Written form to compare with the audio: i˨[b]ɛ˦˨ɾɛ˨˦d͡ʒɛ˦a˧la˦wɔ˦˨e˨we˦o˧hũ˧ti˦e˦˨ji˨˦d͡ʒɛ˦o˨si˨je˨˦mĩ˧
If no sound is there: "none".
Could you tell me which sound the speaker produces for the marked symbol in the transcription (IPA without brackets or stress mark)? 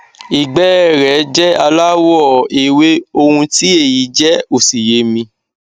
ɡ͡b